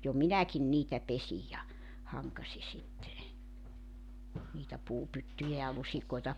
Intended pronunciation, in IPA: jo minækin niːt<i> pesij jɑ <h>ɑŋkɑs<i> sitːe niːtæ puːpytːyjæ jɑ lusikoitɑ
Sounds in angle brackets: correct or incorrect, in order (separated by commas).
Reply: incorrect, correct, correct